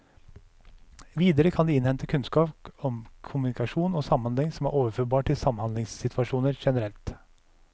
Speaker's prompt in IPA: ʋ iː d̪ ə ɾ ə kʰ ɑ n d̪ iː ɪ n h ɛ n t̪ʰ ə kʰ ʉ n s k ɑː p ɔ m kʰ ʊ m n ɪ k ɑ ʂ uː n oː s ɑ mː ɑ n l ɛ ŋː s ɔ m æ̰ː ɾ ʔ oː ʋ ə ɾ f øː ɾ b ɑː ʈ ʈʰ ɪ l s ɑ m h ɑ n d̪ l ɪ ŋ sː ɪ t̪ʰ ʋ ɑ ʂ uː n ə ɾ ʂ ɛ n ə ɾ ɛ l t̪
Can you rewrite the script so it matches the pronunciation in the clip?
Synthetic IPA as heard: ʋ iː d̪ ə ɾ ə kʰ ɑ n d̪ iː ɪ n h ɛ n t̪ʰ ə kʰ ʉ n s k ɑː p ɔ m kʰ ʊ m n ɪ k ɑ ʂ uː n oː s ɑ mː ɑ n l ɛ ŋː s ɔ m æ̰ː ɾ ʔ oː ʋ ə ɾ f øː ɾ b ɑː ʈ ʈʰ ɪ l s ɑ m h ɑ n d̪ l ɪ ŋ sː ɪ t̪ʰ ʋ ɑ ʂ uː n ə ɾ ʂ ɛ n ə ɾ ɛ l t̪